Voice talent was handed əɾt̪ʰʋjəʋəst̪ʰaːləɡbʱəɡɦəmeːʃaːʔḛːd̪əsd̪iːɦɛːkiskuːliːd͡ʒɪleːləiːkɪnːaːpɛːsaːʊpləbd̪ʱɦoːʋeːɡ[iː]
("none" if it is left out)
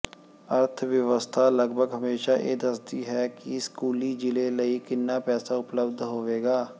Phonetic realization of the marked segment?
aː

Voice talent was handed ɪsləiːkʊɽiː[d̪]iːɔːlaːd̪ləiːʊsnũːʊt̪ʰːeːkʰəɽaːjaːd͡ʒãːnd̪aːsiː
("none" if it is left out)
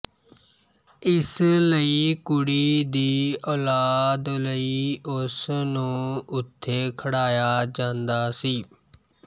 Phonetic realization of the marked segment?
d̪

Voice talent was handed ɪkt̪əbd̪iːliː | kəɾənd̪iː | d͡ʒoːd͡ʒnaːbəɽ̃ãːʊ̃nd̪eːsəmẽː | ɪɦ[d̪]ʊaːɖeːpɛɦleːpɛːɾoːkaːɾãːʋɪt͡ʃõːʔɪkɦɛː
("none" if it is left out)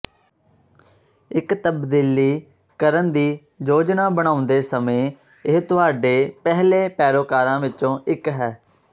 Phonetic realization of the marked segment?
t̪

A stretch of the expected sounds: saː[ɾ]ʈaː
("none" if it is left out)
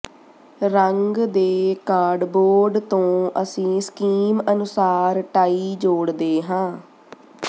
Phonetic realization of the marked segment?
ɾ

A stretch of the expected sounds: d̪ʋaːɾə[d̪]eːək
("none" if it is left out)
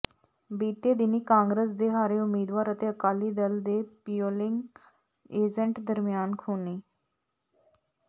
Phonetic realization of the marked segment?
t̪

